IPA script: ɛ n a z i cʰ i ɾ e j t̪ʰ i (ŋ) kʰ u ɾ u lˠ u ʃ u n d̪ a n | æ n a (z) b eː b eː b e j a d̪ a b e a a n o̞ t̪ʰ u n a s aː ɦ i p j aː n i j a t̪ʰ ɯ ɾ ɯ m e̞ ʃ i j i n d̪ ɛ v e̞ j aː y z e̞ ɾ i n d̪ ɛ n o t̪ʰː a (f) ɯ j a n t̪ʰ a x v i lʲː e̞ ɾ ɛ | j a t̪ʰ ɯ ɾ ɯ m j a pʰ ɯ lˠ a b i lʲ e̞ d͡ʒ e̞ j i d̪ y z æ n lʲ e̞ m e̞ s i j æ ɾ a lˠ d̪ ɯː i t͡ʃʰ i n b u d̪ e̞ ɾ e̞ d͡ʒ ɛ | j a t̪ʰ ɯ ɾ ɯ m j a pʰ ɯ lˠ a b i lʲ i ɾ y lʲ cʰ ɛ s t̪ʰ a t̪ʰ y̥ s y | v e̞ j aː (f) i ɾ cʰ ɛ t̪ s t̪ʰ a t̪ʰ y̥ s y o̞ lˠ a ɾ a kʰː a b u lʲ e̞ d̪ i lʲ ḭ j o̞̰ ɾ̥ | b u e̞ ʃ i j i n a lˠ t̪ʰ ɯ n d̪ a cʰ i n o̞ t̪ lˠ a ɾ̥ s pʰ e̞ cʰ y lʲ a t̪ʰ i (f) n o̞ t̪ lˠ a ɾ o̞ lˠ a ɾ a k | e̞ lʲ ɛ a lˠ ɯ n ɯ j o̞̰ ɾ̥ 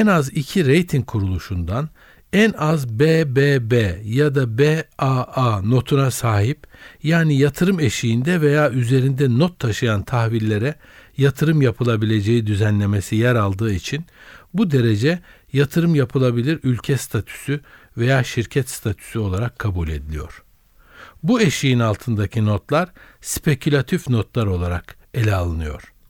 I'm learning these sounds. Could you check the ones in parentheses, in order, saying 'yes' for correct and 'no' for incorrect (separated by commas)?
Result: yes, yes, no, no, yes